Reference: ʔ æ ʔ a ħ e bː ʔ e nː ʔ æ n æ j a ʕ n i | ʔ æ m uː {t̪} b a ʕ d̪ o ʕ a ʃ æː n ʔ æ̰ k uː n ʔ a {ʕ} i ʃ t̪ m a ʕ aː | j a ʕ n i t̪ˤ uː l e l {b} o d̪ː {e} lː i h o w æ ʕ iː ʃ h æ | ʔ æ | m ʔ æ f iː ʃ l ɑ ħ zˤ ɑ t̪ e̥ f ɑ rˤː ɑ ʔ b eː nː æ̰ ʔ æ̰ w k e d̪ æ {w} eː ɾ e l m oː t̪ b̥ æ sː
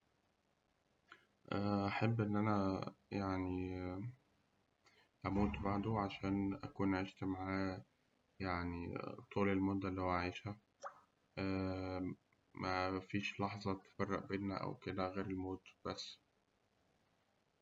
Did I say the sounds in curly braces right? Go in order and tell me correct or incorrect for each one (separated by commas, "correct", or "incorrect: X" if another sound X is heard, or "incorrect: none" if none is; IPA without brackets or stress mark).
correct, correct, incorrect: m, incorrect: æ, incorrect: ɣ